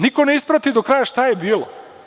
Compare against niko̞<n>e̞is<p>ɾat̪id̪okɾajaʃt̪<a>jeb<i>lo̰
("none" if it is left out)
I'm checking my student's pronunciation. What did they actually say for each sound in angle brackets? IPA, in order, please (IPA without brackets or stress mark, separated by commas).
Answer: n, p, a, iː